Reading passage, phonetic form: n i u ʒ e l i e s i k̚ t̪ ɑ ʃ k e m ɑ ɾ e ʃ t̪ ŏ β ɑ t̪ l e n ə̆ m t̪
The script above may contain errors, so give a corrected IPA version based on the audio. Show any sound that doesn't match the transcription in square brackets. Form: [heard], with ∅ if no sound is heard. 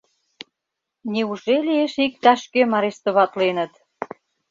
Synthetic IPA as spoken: n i u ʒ e l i e [ʃ] i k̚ t̪ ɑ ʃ k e m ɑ ɾ e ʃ t̪ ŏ β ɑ t̪ l e n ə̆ [∅] t̪